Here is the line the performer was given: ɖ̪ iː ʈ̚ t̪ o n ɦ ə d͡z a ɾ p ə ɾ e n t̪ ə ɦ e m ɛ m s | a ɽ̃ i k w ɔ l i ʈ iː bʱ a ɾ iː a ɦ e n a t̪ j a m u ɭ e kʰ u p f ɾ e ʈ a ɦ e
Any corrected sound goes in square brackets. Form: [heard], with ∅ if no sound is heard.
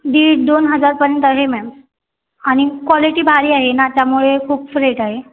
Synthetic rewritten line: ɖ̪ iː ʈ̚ [d̪] o n ɦ ə d͡z a ɾ p ə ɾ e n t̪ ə ɦ e m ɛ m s | a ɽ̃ i k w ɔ l i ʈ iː bʱ a ɾ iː a ɦ e n a t̪ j a m u ɭ e kʰ [uː] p f ɾ e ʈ a ɦ e